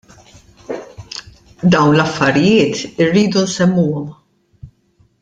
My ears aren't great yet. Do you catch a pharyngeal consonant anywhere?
no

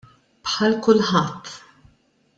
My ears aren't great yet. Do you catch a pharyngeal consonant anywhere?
yes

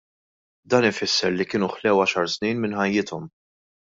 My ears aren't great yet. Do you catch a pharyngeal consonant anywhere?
yes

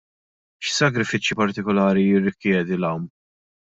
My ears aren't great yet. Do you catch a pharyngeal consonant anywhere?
no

